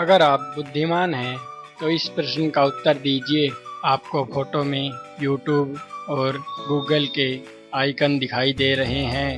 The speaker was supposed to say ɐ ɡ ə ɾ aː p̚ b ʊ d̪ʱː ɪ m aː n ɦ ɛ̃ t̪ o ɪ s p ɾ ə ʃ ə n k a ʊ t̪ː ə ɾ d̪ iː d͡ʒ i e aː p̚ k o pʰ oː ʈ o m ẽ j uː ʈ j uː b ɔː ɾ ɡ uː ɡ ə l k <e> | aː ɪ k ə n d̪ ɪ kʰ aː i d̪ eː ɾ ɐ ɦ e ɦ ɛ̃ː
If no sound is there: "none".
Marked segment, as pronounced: e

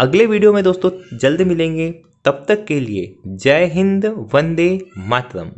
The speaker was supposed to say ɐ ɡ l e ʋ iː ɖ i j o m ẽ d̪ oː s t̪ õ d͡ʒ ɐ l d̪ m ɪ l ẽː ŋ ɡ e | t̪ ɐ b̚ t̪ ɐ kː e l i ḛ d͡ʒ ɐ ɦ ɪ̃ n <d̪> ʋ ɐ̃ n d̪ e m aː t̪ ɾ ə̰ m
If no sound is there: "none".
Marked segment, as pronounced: d̪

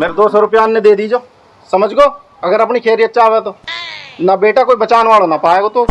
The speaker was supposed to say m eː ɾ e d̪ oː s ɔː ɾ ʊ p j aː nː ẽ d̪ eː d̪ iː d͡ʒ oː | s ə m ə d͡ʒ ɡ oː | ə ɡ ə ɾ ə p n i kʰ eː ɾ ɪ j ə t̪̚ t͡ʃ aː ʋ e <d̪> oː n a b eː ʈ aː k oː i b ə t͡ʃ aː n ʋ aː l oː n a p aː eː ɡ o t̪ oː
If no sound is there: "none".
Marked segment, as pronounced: t̪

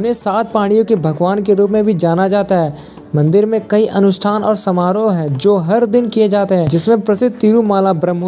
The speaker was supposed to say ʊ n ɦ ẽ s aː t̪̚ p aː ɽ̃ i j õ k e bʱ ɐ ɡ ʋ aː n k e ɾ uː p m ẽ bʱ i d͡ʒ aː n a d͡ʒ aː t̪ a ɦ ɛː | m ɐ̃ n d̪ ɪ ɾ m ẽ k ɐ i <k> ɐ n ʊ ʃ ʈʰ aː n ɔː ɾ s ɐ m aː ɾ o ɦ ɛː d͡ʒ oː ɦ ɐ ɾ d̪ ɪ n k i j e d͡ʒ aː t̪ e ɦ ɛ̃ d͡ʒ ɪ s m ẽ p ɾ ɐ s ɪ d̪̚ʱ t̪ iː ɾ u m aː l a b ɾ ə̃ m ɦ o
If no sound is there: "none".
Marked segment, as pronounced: ʔ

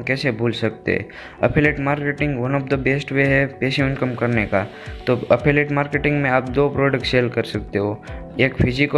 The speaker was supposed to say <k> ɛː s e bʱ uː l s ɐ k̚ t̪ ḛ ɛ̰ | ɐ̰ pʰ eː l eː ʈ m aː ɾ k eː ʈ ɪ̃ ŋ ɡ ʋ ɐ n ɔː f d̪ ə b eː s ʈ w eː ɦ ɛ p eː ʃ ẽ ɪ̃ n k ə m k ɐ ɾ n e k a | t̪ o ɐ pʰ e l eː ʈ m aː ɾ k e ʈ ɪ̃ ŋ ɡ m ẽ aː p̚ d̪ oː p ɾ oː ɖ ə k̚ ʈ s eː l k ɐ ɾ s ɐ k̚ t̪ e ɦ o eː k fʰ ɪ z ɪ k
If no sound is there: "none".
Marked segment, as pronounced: k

